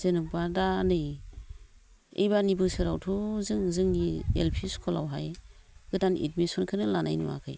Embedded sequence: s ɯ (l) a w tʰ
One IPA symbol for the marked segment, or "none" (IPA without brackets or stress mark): ɾ